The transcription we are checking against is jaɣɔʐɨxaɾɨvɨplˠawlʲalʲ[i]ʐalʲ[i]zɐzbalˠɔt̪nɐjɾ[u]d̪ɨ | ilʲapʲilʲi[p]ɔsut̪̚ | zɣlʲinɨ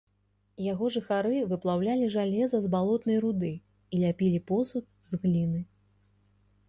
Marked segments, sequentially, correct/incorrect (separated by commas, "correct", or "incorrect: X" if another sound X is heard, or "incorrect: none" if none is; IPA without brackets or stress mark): correct, incorrect: ɛ, correct, correct